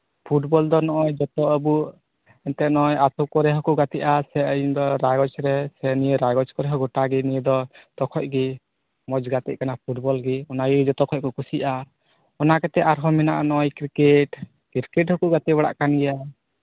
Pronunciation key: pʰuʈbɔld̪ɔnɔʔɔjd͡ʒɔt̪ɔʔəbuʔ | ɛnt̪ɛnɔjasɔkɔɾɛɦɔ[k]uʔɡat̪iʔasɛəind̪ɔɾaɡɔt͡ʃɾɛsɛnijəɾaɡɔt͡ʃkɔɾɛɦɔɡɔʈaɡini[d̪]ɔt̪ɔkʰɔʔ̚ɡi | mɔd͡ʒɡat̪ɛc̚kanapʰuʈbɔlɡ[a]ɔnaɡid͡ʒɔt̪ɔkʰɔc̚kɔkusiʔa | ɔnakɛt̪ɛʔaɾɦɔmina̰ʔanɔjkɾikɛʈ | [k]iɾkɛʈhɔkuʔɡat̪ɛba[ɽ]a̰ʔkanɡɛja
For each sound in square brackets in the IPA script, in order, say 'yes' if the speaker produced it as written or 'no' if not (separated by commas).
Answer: yes, yes, no, yes, yes